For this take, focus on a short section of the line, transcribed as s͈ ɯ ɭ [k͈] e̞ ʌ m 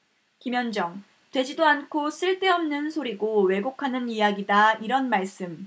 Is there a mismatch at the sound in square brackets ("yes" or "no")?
yes